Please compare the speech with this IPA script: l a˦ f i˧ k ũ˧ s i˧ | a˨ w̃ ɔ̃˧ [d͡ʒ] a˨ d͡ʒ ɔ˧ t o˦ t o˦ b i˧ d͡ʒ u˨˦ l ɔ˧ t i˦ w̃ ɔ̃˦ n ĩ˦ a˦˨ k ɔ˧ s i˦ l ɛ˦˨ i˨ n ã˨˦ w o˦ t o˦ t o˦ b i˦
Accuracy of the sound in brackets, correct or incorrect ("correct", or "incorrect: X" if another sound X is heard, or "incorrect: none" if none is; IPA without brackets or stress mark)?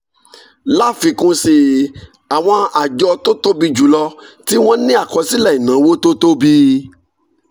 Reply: incorrect: none